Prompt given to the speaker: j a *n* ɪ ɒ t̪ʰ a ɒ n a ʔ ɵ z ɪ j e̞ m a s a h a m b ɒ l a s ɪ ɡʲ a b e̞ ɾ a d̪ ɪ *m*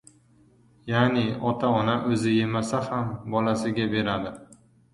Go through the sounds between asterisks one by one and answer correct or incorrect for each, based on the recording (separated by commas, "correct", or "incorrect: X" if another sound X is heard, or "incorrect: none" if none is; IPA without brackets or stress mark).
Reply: correct, incorrect: none